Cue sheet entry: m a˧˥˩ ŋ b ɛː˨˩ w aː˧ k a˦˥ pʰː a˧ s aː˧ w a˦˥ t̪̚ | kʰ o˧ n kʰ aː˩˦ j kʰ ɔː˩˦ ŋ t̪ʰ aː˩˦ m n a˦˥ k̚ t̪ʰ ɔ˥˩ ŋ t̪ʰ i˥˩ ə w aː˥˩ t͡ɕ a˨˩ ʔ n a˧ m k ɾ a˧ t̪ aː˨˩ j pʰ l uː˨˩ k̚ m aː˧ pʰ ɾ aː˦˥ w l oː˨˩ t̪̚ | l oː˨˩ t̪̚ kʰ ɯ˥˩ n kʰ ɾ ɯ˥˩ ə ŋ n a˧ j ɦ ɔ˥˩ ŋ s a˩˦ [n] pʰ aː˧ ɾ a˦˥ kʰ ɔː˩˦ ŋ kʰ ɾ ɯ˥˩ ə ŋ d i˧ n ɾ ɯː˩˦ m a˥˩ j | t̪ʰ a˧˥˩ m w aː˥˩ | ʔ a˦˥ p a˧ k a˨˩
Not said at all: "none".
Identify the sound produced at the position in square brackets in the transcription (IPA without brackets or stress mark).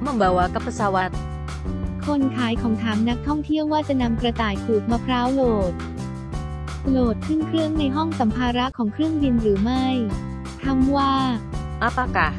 m